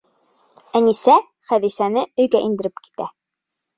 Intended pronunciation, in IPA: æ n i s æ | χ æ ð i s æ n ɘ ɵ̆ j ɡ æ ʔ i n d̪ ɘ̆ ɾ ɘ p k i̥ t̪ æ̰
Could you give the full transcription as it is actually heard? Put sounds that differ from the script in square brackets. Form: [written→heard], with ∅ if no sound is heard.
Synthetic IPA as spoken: æ n i s æ | χ æ ð i s æ n ɘ ɵ̆ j ɡ æ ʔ i n d̪ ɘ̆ ɾ ɘ p k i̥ t̪ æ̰